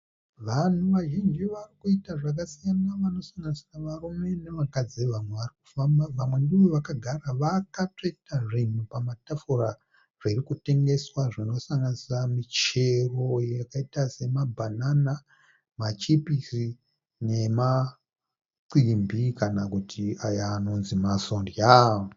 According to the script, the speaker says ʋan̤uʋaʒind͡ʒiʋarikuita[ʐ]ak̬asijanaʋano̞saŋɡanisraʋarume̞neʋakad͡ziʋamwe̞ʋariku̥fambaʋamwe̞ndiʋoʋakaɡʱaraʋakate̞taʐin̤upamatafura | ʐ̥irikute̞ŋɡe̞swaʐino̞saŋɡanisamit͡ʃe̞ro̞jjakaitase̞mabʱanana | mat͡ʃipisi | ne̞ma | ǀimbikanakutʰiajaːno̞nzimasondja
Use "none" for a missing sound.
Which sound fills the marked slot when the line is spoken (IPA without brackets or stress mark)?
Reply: ʐ